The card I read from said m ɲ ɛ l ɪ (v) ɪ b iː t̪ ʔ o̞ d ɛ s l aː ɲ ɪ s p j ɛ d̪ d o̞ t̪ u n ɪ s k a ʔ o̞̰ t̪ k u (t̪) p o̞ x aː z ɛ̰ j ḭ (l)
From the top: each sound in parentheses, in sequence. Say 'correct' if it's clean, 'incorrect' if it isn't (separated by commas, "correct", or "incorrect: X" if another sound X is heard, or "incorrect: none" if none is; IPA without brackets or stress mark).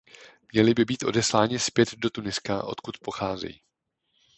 incorrect: b, correct, incorrect: none